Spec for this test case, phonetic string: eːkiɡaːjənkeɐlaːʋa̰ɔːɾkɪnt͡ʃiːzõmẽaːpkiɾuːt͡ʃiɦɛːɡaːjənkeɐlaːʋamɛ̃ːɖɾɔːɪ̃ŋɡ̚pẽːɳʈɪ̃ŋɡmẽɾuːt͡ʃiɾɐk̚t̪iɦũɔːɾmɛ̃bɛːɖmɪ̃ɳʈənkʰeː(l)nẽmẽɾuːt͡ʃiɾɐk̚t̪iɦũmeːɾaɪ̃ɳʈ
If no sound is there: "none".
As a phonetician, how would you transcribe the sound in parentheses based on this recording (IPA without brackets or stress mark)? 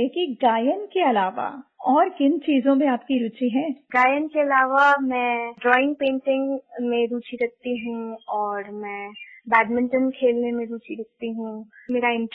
l